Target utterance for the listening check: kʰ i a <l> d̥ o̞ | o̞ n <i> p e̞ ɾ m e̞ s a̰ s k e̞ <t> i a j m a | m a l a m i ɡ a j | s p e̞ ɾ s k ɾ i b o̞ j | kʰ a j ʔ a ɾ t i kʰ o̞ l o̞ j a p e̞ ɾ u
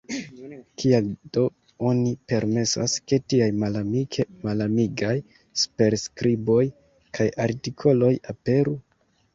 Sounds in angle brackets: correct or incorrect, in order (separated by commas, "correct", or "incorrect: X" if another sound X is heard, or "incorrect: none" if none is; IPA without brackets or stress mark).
correct, correct, correct